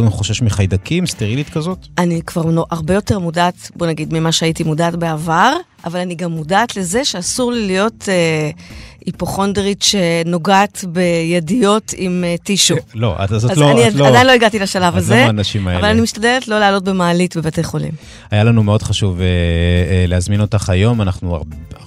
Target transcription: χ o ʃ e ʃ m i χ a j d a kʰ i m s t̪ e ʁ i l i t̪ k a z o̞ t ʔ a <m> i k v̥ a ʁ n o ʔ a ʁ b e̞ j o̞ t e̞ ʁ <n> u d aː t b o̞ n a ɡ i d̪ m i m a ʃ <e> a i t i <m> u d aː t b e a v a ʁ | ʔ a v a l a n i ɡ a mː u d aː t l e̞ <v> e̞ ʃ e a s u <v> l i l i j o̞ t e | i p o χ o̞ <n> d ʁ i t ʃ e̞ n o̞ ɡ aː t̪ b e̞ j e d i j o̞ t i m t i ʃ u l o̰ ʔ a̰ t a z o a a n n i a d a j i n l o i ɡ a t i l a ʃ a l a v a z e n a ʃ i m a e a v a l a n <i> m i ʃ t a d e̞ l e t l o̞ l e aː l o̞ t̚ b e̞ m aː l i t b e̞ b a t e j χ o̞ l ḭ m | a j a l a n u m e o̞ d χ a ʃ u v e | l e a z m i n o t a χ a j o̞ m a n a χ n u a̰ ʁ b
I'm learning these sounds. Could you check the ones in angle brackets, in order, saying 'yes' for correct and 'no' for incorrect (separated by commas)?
no, no, yes, yes, no, no, yes, yes